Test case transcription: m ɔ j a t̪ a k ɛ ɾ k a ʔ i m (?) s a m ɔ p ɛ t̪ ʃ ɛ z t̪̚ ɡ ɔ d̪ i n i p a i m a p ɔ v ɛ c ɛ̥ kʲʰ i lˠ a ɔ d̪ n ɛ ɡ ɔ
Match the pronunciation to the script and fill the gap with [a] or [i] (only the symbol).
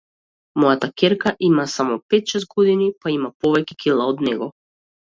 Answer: a